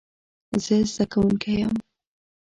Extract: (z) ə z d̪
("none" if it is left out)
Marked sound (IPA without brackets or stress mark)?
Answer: z